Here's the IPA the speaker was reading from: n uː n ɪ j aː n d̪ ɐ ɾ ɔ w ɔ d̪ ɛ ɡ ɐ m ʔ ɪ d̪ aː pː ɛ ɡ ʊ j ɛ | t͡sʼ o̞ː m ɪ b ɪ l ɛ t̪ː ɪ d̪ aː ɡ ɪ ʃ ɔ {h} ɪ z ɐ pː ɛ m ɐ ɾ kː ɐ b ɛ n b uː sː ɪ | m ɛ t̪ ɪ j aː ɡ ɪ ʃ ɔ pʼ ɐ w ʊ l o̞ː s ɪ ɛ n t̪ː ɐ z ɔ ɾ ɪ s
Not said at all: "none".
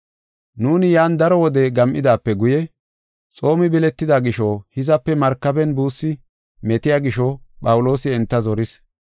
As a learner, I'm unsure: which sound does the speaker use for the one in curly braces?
h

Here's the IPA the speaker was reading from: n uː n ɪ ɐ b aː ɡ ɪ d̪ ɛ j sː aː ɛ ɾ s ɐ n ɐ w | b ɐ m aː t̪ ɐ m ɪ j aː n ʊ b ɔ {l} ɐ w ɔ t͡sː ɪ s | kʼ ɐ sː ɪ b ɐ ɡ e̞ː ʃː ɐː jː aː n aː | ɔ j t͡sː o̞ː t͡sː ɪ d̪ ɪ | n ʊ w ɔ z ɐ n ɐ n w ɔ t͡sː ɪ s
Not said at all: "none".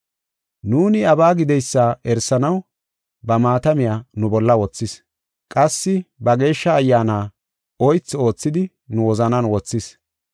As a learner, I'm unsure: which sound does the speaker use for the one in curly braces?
lː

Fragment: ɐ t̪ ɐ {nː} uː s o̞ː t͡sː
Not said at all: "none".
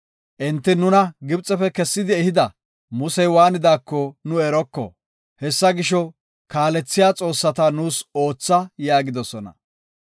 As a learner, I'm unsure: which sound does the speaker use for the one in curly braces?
n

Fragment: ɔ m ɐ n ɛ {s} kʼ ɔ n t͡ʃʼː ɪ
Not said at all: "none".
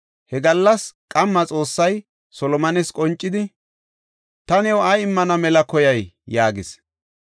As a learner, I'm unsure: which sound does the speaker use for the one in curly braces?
s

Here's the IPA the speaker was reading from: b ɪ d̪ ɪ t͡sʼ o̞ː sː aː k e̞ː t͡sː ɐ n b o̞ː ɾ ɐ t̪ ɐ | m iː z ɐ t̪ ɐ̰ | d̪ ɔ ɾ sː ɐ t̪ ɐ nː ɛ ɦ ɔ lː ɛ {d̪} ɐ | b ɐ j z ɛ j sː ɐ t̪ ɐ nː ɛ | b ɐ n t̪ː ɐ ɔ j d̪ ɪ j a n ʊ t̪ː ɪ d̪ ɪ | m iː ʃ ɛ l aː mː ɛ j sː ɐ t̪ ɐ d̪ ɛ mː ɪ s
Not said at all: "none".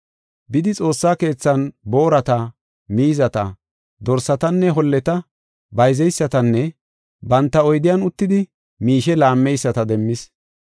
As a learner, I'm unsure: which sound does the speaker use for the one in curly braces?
t̪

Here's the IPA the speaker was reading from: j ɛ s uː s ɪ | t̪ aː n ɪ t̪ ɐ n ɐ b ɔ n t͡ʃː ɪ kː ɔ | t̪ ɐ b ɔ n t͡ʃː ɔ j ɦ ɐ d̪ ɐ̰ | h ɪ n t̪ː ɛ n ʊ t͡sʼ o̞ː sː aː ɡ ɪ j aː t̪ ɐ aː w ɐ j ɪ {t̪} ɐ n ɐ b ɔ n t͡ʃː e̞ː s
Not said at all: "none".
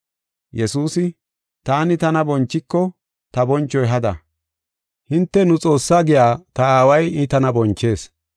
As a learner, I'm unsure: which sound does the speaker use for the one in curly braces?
t̪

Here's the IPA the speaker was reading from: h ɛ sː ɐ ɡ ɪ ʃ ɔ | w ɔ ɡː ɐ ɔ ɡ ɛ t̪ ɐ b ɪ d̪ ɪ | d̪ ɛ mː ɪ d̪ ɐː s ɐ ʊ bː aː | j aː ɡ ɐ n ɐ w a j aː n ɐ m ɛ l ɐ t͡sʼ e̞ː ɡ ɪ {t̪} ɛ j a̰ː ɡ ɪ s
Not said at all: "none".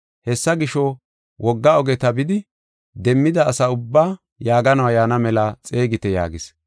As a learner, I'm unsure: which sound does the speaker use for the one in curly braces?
t̪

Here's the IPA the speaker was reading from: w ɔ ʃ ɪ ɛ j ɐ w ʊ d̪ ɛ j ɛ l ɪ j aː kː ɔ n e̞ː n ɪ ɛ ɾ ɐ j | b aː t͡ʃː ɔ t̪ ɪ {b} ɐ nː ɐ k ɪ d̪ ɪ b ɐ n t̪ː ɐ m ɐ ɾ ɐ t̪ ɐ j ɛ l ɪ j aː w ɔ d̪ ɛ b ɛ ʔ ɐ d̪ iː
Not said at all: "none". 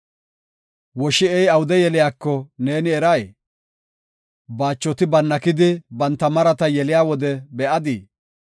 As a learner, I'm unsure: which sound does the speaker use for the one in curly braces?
b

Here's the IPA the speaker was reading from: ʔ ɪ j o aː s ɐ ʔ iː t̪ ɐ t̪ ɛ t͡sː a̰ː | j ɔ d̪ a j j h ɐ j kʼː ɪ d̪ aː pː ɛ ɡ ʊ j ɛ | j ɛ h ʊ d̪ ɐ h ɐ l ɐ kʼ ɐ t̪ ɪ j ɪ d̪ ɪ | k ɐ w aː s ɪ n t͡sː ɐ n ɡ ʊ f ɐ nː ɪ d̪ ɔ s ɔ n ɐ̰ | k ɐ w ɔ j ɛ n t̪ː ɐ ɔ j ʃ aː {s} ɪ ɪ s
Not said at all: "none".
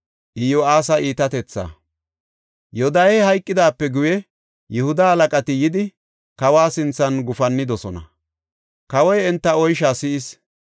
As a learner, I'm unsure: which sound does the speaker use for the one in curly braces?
s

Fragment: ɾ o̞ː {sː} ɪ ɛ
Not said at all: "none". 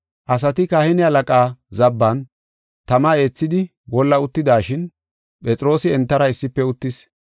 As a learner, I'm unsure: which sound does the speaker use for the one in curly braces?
s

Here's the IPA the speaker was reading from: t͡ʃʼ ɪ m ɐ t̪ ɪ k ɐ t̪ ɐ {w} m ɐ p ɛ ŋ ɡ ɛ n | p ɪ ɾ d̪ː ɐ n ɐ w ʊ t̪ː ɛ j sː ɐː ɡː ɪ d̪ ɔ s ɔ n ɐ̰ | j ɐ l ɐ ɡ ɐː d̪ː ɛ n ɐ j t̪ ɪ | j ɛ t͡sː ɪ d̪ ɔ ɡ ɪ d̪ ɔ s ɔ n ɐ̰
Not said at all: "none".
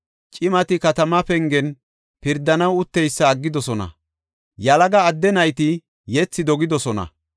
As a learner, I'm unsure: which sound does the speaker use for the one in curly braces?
none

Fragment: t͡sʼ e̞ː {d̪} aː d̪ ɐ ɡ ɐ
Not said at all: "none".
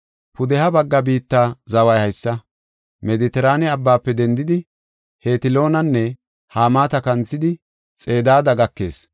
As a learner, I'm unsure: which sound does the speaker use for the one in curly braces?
d̪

